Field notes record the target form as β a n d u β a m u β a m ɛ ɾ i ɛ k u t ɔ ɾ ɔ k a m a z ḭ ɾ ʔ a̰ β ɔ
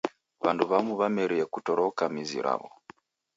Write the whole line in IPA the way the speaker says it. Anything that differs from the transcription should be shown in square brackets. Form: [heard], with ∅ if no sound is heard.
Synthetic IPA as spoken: β a n d u β a m u β a m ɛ ɾ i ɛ k u t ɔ ɾ ɔ k a m [i] z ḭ ɾ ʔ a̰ β ɔ

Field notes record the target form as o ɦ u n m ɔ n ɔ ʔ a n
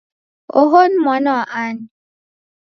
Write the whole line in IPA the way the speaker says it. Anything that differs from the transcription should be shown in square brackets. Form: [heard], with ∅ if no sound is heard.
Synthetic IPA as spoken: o ɦ [o] n m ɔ n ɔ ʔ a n

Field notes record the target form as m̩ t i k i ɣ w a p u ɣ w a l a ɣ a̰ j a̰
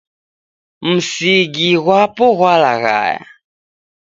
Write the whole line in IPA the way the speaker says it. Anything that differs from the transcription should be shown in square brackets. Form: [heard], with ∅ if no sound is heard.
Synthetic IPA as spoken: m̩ [s] i [ɡ] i ɣ w a p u ɣ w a l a ɣ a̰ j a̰

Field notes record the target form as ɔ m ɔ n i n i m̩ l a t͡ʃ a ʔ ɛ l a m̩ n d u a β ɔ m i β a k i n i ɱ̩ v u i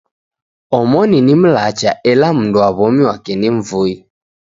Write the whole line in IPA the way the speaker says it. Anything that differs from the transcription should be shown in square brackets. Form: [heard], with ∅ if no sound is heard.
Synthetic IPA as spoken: ɔ m ɔ n i n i m̩ l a t͡ʃ a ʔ ɛ l a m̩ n d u a β ɔ m i [w] a k [ɛ] n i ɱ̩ v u i

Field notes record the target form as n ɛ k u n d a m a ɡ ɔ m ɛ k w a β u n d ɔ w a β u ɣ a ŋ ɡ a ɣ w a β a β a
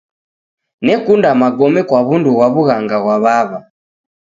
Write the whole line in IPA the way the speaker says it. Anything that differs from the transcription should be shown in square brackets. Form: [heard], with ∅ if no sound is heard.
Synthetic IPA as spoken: n ɛ k u n d a m a ɡ ɔ m ɛ k w a β u n d [u] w a β u ɣ a ŋ ɡ a ɣ w a β a β a

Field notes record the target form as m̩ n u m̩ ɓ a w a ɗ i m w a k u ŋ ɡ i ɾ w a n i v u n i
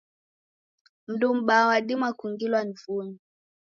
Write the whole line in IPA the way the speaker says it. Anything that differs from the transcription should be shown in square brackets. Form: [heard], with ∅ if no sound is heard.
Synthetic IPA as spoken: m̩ [d] u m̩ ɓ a w a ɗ i m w a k u ŋ ɡ i [l] w a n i v u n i

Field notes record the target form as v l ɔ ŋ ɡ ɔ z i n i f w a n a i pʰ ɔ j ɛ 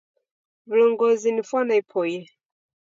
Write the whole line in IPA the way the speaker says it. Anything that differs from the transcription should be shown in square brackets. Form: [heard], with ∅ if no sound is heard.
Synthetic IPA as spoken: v l ɔ ŋ ɡ ɔ z i n i f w a n a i pʰ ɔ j ɛ

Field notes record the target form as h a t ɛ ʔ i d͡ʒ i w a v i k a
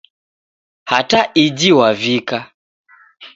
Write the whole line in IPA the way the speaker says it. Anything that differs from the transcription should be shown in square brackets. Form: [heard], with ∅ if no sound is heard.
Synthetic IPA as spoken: h a t [a] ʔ i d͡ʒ i w a v i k a

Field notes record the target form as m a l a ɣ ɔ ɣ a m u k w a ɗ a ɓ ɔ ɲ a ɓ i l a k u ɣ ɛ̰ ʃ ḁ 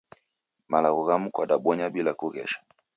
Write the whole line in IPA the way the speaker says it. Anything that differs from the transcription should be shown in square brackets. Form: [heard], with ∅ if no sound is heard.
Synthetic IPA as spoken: m a l a ɣ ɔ ɣ a m u k w a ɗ a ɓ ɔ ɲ a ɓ i l a k u ɣ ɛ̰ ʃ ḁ

